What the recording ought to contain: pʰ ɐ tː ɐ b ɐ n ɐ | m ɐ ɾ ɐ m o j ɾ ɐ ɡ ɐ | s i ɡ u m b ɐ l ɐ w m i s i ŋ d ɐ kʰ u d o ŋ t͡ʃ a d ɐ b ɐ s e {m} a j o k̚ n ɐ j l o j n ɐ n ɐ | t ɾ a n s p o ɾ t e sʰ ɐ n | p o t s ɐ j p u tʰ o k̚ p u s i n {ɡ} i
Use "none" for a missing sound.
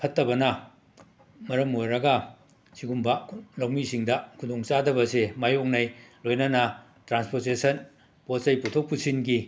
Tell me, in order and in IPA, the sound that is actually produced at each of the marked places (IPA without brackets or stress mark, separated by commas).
m, ɡ